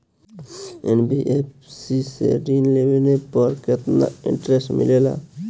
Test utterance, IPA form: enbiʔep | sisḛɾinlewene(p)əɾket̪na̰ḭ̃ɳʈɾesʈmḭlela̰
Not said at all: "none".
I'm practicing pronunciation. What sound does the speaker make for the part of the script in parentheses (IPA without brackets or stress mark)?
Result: p